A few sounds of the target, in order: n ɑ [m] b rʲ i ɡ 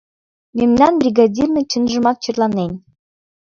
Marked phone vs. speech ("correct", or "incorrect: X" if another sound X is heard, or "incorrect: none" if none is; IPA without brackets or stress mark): incorrect: n